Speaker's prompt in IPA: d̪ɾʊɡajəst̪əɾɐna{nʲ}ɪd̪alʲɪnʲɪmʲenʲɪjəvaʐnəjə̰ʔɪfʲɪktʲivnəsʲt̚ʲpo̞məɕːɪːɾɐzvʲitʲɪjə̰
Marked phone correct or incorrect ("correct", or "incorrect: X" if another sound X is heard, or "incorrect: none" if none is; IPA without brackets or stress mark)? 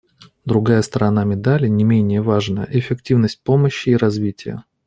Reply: incorrect: mʲ